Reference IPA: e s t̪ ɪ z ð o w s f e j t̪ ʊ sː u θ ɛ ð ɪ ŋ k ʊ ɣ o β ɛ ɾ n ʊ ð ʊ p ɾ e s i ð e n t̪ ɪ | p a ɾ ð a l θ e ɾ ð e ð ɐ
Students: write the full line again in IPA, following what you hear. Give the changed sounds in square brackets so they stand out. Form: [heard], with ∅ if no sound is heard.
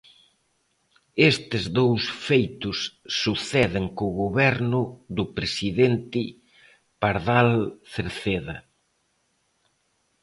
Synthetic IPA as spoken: e s t̪ ɪ z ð o w s f e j t̪ ʊ sː u θ ɛ ð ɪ ŋ k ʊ ɣ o β ɛ ɾ n ʊ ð ʊ p ɾ e s i ð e n t̪ ɪ | p a ɾ ð a l θ e ɾ [θ] e ð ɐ